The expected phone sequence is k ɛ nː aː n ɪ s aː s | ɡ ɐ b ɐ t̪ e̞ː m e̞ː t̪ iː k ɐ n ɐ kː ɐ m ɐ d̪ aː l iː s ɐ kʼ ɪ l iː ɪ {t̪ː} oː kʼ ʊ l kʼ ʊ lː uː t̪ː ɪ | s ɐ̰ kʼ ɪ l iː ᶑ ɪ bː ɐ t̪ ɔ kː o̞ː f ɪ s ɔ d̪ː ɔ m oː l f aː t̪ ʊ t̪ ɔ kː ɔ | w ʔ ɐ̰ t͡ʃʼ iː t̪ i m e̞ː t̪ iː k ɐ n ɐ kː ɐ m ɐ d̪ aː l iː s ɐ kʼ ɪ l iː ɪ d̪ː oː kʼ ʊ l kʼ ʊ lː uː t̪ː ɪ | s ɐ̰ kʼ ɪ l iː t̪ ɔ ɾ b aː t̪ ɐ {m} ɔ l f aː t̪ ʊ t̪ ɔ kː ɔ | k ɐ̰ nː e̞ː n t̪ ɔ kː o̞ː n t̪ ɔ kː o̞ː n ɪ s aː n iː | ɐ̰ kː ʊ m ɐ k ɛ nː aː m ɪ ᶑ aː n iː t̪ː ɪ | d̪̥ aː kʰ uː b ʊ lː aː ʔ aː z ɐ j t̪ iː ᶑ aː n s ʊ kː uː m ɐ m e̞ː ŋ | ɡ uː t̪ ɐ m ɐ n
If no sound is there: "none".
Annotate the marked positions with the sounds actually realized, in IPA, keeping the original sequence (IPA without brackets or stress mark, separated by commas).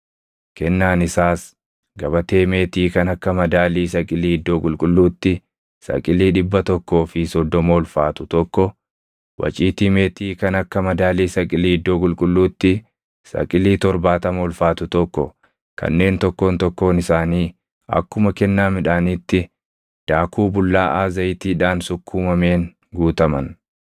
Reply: d̪ː, m